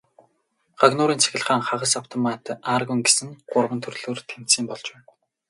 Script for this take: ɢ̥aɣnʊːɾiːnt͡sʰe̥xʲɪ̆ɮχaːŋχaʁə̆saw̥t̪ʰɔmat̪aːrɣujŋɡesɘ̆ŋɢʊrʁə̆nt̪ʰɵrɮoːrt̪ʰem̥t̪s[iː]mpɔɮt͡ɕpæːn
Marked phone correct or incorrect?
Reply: correct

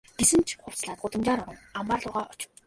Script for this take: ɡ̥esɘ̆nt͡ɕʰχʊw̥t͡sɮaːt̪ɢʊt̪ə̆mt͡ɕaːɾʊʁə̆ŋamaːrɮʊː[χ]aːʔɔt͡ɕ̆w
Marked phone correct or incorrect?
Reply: incorrect: ʁ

